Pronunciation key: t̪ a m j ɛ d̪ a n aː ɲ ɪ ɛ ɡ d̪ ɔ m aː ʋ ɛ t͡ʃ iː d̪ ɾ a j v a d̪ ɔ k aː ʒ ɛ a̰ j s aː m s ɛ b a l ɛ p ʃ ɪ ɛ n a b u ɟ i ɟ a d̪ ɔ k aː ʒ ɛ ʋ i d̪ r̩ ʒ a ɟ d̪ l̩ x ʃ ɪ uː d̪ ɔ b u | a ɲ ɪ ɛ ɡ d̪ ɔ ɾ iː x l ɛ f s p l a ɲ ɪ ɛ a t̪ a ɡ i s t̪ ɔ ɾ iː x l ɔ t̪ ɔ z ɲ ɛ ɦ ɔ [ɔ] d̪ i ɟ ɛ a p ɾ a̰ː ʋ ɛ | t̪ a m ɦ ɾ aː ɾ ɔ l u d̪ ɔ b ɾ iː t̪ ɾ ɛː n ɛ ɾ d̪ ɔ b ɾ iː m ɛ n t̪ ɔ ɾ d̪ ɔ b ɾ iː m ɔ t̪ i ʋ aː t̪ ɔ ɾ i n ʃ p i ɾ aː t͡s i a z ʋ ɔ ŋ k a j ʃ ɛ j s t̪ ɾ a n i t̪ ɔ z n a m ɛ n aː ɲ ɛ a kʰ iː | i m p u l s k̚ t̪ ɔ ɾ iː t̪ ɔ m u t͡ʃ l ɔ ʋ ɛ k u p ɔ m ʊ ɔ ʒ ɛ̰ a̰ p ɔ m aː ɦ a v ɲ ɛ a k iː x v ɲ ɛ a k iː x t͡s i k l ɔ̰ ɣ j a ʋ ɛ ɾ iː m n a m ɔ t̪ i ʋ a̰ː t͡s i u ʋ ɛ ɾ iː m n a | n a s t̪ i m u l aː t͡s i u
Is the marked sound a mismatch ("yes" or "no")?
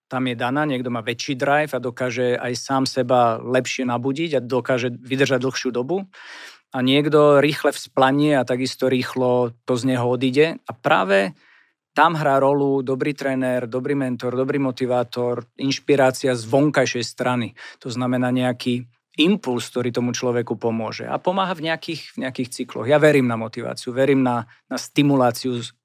no